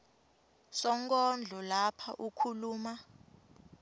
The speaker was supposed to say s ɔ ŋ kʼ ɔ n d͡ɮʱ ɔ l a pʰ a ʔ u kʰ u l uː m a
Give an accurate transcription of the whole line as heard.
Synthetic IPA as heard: s ɔ ŋ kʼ ɔ n d͡ɮʱ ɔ l a pʰ a ʔ u kʰ u l uː m a